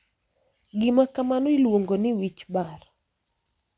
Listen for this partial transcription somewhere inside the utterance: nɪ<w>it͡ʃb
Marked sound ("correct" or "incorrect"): correct